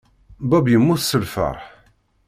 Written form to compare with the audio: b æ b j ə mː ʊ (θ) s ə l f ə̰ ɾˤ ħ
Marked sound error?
no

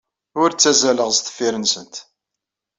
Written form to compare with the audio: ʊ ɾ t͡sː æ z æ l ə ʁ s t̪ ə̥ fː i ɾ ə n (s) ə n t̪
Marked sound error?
no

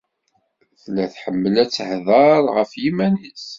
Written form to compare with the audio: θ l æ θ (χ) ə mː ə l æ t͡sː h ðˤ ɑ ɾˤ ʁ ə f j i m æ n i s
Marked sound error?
yes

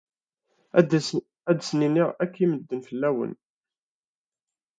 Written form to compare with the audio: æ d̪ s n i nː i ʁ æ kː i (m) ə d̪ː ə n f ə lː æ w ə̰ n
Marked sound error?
no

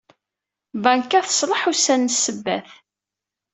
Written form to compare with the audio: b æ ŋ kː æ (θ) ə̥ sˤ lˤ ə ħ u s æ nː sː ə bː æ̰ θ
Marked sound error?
no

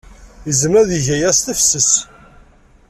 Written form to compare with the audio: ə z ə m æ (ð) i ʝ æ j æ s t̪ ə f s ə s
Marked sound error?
no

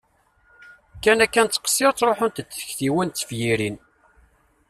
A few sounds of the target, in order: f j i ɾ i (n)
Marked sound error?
no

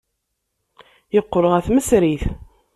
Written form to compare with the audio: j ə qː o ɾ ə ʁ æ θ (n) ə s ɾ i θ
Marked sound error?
yes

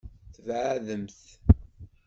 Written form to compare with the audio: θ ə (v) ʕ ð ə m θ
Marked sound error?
no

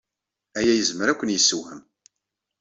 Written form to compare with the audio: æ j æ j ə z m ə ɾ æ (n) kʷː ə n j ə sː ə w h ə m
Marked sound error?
yes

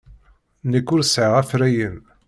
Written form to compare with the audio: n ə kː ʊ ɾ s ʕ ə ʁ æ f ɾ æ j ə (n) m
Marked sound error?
yes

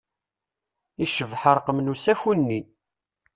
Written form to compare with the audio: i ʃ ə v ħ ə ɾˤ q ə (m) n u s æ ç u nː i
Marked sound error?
no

